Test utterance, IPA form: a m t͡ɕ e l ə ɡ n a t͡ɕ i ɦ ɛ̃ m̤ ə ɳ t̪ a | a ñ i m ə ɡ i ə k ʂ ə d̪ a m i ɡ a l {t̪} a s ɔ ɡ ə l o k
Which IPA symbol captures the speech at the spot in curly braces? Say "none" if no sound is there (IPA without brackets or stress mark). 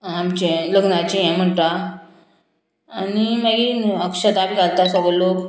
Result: t̪